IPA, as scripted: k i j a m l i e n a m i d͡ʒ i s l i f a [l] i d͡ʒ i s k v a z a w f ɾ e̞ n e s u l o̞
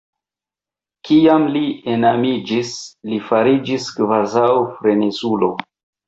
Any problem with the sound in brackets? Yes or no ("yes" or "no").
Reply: yes